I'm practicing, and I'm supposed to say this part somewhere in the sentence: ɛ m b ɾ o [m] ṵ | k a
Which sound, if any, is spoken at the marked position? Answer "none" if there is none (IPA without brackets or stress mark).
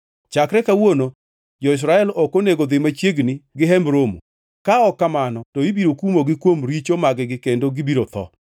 m